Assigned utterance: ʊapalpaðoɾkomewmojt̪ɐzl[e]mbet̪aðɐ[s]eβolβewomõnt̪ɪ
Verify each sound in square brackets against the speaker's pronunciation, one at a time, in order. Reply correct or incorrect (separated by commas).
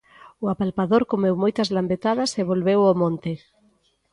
incorrect, correct